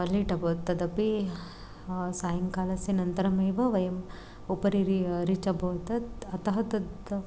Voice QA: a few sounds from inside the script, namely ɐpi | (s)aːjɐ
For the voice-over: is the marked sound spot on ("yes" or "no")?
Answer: yes